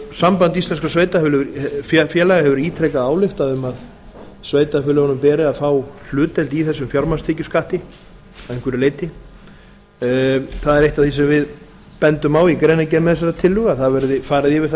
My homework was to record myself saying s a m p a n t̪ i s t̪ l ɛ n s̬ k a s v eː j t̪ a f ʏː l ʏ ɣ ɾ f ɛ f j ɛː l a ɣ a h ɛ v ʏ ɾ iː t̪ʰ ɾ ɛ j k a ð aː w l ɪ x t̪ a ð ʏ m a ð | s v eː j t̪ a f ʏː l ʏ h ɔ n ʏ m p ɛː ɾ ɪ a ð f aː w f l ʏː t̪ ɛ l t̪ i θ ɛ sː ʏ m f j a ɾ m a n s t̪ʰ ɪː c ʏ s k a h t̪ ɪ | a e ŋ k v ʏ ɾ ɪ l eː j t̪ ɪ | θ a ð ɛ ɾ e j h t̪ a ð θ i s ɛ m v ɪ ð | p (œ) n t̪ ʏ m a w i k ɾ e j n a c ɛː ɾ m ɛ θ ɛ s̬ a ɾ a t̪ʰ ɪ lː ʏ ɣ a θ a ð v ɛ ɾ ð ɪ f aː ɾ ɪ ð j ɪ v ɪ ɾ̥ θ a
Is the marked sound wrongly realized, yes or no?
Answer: yes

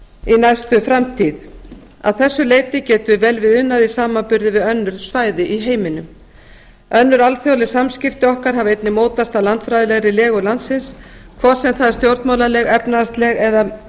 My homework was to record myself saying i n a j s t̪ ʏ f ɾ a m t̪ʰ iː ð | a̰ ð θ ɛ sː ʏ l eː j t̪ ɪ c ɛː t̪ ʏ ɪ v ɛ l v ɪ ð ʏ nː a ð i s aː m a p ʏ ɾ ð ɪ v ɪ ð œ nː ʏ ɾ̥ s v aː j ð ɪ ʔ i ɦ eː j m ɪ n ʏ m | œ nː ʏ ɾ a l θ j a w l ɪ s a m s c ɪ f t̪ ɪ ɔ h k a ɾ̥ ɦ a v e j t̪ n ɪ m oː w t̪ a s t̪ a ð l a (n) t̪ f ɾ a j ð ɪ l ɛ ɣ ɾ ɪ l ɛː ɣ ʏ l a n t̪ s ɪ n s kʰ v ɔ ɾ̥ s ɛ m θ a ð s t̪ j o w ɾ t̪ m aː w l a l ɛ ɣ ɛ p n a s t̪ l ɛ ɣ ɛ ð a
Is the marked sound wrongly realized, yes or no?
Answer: no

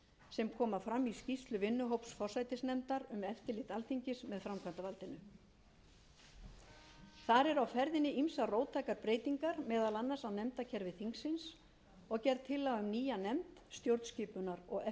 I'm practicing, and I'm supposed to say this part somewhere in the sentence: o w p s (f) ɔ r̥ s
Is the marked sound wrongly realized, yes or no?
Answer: no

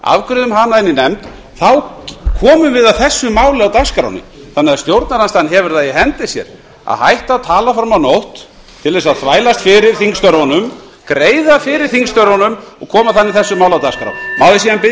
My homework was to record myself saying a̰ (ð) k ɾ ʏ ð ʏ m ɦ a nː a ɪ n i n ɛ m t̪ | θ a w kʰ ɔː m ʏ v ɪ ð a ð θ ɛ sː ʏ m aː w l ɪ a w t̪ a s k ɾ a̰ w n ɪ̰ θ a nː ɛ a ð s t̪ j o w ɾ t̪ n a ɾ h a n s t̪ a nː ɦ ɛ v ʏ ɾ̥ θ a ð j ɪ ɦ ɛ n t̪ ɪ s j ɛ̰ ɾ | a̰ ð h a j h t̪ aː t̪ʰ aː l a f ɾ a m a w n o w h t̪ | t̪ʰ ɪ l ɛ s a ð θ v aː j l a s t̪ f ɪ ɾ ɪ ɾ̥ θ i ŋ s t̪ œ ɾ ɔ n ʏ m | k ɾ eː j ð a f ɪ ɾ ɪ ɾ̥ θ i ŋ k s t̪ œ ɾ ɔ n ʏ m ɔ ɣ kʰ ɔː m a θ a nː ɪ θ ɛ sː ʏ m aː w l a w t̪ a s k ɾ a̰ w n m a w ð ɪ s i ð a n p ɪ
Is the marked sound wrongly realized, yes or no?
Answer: yes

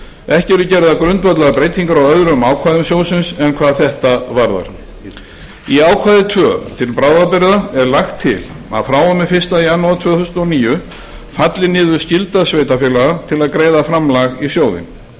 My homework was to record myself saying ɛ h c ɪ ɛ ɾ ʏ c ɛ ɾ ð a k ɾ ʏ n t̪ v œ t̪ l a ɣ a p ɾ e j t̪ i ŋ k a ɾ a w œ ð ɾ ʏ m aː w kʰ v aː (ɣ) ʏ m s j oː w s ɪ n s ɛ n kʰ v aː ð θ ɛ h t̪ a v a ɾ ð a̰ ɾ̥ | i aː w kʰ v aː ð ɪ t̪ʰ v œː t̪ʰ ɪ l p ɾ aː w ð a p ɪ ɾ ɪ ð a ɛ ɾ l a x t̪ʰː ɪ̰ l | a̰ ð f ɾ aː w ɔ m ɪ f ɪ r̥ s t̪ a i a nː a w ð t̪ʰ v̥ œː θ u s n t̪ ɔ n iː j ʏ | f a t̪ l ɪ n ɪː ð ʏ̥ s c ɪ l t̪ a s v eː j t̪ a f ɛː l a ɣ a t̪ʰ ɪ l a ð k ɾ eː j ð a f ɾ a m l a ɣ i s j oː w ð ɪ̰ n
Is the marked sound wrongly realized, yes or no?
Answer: yes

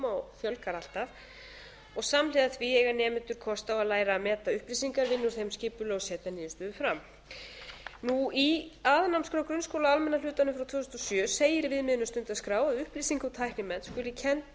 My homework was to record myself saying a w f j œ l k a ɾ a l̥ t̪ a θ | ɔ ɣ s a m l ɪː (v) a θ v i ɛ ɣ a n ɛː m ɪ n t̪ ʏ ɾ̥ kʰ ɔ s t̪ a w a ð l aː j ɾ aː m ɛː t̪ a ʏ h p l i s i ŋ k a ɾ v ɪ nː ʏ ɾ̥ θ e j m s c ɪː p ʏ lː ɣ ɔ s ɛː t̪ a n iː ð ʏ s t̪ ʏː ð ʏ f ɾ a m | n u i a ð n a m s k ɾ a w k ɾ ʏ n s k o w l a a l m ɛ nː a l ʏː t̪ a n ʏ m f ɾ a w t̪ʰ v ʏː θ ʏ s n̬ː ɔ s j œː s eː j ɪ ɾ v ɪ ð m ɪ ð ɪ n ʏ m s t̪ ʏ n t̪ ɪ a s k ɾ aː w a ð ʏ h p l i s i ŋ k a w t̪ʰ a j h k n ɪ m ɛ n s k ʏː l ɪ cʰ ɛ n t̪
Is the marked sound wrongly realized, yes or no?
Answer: yes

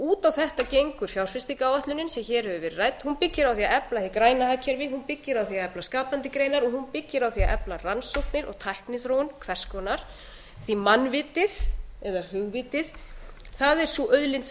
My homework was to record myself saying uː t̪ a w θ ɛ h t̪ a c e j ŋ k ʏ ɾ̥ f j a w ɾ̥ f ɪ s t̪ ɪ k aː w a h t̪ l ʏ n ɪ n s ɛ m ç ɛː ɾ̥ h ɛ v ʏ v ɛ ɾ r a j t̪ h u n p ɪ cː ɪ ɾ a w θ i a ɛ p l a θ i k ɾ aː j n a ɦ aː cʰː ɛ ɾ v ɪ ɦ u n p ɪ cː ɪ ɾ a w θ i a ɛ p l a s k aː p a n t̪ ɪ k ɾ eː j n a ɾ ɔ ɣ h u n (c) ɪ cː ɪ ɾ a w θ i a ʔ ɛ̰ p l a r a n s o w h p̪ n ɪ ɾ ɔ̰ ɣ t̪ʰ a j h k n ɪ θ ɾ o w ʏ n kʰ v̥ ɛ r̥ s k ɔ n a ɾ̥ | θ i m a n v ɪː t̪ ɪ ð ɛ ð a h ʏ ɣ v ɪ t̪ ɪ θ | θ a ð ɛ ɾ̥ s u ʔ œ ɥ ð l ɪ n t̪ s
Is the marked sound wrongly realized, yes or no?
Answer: yes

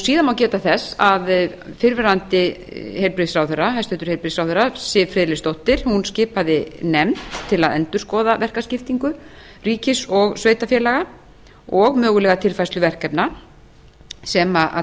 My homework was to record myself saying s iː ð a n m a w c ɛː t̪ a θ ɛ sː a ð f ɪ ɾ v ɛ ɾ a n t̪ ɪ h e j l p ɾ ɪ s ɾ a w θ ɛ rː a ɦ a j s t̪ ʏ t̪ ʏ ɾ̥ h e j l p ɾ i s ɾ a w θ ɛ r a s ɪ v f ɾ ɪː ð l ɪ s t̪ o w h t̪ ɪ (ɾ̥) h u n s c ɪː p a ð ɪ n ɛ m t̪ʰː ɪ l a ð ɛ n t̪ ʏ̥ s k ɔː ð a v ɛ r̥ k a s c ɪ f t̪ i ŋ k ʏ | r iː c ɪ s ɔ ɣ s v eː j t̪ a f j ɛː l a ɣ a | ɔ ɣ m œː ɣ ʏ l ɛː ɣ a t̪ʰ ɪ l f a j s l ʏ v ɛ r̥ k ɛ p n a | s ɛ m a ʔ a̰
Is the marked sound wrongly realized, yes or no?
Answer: no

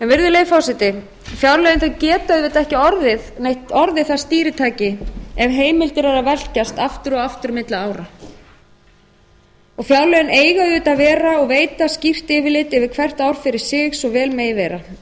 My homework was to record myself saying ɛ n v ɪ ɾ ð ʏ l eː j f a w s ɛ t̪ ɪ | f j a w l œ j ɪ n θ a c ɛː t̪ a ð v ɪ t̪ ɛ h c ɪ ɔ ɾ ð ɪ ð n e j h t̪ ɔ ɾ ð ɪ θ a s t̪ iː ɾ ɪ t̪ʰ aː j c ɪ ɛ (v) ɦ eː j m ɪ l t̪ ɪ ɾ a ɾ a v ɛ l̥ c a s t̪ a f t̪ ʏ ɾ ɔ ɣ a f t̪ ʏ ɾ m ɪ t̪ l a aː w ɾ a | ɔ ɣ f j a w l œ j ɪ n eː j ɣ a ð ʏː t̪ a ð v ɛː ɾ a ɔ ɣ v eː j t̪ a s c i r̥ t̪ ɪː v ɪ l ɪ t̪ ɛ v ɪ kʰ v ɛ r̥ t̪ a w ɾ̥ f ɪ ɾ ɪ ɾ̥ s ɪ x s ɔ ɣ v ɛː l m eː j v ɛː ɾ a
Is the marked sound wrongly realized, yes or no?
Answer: no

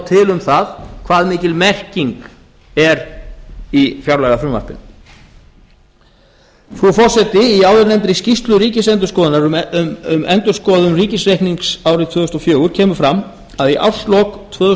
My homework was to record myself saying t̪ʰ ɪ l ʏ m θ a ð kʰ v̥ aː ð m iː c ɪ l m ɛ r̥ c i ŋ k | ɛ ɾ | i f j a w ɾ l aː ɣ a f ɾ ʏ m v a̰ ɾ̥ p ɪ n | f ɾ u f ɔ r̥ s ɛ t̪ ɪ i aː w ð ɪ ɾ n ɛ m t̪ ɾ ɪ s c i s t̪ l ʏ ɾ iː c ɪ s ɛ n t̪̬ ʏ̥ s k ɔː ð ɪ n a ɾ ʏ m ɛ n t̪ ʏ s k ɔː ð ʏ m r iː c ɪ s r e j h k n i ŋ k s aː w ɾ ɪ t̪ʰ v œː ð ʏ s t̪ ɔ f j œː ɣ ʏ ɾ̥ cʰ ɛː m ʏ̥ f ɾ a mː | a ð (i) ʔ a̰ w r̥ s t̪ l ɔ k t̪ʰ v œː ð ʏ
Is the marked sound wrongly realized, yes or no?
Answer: no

